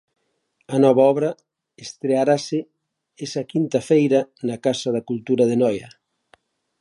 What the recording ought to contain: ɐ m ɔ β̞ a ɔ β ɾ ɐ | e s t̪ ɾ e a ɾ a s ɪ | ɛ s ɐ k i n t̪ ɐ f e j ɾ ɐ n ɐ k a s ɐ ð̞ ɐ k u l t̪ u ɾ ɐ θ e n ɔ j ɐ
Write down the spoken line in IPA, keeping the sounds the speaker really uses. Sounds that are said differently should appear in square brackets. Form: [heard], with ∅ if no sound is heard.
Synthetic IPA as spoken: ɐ [n] ɔ β̞ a ɔ β ɾ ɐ | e s t̪ ɾ e a ɾ a s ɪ | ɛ s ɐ k i n t̪ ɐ f e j ɾ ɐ n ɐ k a s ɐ ð̞ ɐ k u l t̪ u ɾ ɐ [ð] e n ɔ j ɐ